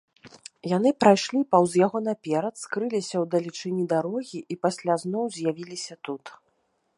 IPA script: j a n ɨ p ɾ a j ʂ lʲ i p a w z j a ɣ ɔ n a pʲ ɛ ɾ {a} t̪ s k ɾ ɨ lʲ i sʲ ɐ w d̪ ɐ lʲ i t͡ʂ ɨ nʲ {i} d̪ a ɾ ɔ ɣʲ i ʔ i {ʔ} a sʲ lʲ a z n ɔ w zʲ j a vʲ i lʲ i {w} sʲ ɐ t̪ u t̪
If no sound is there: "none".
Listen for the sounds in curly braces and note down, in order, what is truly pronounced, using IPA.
ɐ, i, p, none

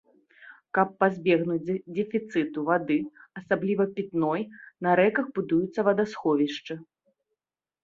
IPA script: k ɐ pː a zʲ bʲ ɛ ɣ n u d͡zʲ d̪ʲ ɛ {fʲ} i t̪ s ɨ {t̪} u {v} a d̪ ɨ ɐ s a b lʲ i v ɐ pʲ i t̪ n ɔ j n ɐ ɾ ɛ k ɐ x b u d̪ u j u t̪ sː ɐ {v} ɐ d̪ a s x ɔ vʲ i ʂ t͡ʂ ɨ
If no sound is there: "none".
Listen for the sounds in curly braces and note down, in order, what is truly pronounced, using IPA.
fʲ, t̪, v, v

